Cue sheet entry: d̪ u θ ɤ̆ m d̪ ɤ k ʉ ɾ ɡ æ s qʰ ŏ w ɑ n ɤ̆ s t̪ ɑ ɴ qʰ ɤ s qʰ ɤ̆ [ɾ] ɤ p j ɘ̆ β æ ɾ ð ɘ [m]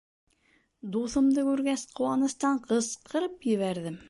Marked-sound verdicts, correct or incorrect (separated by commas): correct, correct